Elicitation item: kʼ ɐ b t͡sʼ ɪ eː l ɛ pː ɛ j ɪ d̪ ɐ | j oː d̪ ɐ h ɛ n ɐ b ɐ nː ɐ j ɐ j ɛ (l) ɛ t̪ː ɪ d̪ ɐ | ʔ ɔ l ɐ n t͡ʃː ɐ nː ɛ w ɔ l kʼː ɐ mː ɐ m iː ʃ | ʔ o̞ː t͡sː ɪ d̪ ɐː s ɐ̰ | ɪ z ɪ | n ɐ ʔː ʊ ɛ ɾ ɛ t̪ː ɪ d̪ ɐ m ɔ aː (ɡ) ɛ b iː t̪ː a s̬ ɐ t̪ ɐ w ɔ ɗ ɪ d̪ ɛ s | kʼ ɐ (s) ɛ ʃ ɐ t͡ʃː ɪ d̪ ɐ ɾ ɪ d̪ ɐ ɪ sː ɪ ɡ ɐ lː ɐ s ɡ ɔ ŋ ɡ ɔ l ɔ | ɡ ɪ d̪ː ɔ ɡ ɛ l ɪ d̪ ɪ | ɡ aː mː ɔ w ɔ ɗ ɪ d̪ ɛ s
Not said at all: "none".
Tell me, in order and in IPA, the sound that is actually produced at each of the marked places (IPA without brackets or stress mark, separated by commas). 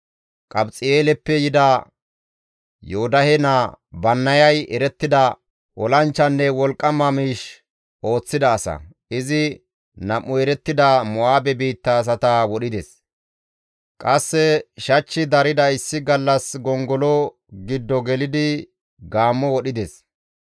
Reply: ɾ, b, sː